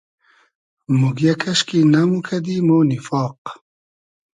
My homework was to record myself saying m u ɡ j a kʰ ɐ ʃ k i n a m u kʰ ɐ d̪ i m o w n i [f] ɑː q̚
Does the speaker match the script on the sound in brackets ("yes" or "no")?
yes